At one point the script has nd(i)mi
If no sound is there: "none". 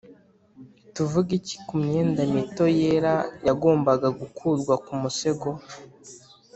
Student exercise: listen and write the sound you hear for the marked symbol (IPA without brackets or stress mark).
a